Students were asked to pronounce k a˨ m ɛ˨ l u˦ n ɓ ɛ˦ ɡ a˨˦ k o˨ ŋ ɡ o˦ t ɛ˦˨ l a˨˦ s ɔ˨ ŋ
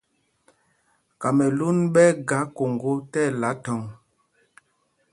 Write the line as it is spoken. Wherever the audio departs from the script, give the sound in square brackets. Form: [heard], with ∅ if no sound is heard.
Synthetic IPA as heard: k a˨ m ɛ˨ l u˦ n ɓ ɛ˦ ɡ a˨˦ k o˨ ŋ ɡ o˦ t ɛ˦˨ l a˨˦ [t] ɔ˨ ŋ